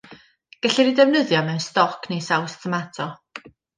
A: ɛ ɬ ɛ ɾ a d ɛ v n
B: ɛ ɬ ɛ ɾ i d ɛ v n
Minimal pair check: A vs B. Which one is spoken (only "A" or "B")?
B